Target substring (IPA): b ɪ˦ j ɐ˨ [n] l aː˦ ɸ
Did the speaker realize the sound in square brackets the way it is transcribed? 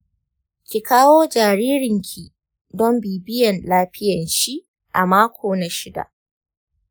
yes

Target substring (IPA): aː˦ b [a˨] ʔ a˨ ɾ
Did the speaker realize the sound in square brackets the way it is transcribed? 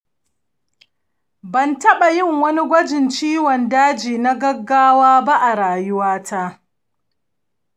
no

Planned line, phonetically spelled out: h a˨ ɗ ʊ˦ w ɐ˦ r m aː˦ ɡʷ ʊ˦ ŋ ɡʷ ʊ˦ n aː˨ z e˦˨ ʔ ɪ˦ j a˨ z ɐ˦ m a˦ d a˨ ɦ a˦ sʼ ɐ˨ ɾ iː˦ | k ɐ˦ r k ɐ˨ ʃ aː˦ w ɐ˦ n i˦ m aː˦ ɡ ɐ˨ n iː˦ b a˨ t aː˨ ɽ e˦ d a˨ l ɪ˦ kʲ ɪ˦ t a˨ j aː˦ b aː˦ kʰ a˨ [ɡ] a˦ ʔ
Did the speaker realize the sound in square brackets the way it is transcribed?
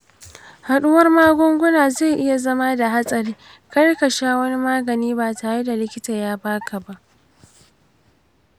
no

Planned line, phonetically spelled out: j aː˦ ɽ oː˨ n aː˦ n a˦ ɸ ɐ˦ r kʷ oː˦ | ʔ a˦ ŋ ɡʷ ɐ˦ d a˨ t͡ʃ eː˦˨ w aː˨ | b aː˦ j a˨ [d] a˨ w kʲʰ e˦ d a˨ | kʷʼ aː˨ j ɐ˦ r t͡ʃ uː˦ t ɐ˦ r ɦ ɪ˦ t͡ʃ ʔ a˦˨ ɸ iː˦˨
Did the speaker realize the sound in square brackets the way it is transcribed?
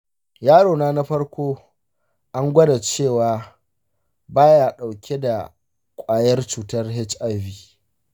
no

